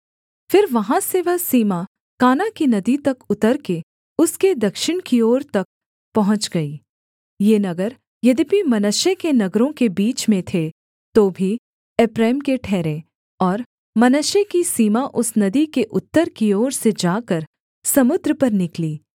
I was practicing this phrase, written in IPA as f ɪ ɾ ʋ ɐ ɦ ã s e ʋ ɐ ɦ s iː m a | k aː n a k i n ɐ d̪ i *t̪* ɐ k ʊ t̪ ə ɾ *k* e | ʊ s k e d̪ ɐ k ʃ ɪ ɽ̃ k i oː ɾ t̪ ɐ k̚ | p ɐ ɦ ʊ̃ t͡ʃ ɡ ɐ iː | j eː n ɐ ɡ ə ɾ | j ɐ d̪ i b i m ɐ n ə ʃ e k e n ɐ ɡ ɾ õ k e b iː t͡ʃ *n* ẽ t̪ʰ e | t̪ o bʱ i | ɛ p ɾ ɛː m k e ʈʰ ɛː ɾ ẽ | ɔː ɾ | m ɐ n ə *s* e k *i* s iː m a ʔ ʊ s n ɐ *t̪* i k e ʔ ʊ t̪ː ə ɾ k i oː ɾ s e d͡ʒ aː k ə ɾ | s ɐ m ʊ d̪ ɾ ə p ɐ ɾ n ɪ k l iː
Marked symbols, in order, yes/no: yes, yes, no, no, yes, no

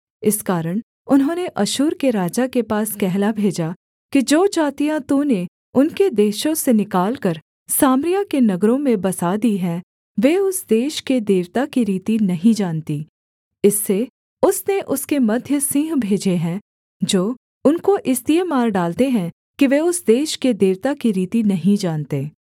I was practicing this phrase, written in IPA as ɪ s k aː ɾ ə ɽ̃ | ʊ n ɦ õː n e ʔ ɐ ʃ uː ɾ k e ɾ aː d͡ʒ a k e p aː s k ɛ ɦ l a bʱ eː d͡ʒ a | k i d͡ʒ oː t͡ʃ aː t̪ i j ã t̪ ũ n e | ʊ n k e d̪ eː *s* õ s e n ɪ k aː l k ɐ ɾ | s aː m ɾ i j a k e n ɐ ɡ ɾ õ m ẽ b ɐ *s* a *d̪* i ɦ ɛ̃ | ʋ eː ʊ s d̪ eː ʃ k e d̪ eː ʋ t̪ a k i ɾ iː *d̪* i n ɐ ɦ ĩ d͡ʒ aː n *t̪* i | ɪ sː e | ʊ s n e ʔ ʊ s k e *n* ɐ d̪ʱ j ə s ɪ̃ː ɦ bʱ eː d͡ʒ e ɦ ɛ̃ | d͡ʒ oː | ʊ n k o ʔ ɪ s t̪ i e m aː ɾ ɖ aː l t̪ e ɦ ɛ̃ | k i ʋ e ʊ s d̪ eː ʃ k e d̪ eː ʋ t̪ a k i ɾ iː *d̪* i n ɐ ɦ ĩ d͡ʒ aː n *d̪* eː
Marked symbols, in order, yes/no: no, yes, yes, no, yes, no, no, no

